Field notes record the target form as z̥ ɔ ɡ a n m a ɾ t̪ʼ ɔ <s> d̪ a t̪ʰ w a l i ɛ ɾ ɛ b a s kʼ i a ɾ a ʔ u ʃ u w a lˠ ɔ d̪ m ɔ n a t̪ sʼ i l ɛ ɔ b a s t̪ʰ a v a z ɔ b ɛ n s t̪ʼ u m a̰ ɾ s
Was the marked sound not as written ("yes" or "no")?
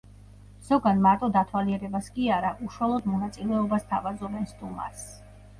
yes